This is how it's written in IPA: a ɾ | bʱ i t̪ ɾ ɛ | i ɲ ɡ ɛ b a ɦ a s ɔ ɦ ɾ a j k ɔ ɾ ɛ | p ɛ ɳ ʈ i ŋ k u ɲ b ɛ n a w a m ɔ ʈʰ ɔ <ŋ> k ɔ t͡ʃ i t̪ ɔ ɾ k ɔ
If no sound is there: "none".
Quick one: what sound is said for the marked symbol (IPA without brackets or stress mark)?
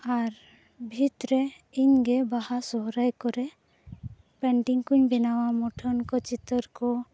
n